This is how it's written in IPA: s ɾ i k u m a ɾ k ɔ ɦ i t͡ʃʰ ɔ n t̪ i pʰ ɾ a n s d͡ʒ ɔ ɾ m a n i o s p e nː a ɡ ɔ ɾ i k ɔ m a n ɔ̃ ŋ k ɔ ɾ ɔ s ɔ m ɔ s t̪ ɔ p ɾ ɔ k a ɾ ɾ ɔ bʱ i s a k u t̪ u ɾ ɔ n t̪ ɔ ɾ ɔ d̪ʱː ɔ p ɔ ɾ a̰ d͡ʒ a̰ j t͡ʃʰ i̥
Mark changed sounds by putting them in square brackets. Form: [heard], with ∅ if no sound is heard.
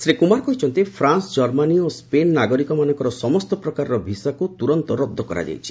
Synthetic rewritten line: s ɾ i k u m a ɾ k ɔ ɦ i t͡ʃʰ ɔ n t̪ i pʰ ɾ a n s d͡ʒ ɔ ɾ m a n i o s p e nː a ɡ ɔ ɾ i k ɔ m a n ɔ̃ ŋ k ɔ ɾ ɔ s ɔ m ɔ s t̪ ɔ p ɾ ɔ k a ɾ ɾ ɔ bʱ i s a k u t̪ u ɾ ɔ n t̪ ɔ ɾ ɔ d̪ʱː ɔ [k] ɔ ɾ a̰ d͡ʒ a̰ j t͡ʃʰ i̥